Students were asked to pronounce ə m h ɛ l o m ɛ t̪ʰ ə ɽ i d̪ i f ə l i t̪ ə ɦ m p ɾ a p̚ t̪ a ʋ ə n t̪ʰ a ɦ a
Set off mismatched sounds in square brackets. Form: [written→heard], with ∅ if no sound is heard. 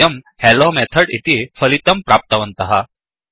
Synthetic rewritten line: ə m h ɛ l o m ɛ t̪ʰ ə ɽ i [d̪→t̪] i f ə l i t̪ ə [ɦ→∅] m p ɾ a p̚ t̪ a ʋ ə n [t̪ʰ→t̪] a ɦ a

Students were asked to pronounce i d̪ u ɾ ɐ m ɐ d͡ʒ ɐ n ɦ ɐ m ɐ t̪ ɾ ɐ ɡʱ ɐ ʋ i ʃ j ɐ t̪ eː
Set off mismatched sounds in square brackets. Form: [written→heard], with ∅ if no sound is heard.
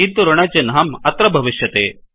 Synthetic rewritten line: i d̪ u ɾ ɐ [m→ɳ] ɐ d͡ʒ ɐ n ɦ ɐ m ɐ t̪ ɾ ɐ [ɡʱ→bʱ] ɐ ʋ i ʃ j ɐ t̪ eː

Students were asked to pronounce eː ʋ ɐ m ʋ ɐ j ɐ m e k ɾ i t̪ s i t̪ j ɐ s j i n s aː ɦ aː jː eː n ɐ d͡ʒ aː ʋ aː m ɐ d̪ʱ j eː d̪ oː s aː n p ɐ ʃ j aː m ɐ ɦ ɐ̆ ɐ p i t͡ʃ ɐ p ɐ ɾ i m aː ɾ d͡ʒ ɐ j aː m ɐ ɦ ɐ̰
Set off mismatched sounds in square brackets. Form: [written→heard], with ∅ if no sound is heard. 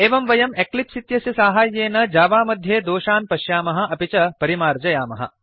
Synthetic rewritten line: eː ʋ ɐ m ʋ ɐ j ɐ m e k [ɾ→l] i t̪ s i t̪ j ɐ s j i [n→∅] s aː ɦ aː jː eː n ɐ d͡ʒ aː ʋ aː m ɐ d̪ʱ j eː d̪ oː [s→ʃ] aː n p ɐ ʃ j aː m ɐ ɦ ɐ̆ ɐ p i t͡ʃ ɐ p ɐ ɾ i m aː ɾ d͡ʒ ɐ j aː m ɐ ɦ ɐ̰

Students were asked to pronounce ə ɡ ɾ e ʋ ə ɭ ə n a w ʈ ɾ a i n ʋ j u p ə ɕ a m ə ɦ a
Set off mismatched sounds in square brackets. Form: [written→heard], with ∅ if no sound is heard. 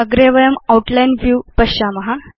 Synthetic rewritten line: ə ɡ ɾ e ʋ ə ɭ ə [n→m] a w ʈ [ɾ→l] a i n ʋ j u p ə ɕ a m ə ɦ a

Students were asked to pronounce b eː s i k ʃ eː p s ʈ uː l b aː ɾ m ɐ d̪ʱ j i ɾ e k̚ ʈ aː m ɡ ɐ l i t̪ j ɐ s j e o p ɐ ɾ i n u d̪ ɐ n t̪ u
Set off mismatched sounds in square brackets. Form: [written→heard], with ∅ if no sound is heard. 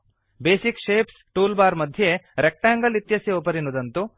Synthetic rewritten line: b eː s i k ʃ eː p s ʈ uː l b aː ɾ m ɐ d̪ʱ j [i→e] ɾ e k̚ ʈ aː [m→ŋ] ɡ ɐ l i t̪ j ɐ s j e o p ɐ ɾ i n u d̪ ɐ n t̪ u

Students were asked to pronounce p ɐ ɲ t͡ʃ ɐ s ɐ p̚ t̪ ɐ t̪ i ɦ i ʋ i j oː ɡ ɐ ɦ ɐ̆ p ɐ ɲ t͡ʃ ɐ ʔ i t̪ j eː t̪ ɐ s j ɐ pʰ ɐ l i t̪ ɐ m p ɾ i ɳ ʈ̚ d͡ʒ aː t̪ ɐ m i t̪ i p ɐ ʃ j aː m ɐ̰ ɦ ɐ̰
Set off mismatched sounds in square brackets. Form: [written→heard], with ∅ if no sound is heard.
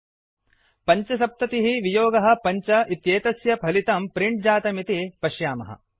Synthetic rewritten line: p ɐ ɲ t͡ʃ ɐ s ɐ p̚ t̪ ɐ t̪ i ɦ i ʋ i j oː ɡ ɐ ɦ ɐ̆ p ɐ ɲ t͡ʃ ɐ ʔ i t̪ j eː t̪ ɐ s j ɐ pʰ ɐ l i t̪ ɐ m p ɾ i ɳ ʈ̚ d͡ʒ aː t̪ ɐ m i t̪ i p ɐ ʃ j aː m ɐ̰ ɦ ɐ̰

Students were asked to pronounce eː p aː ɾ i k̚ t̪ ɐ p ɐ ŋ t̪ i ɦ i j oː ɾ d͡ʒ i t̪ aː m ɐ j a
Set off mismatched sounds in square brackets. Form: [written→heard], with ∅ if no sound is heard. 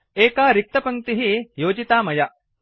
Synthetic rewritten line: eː [p→k] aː ɾ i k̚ t̪ ɐ p ɐ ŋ t̪ i ɦ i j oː [ɾ→∅] d͡ʒ i t̪ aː m ɐ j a

